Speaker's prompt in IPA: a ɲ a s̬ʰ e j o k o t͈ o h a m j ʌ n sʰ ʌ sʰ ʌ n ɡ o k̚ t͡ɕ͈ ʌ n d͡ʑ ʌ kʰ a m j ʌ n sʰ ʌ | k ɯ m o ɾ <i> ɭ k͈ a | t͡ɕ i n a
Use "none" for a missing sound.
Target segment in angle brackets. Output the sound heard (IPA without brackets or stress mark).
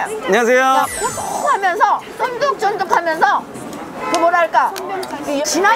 a